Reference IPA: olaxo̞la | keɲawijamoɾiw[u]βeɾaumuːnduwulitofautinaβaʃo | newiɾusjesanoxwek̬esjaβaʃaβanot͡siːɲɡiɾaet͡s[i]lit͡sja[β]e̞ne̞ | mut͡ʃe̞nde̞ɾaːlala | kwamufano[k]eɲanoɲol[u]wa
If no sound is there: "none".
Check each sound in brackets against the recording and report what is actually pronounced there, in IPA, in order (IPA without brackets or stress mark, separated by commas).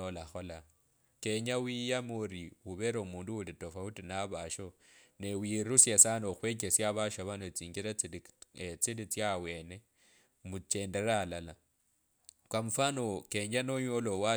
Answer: u, i, w, k, o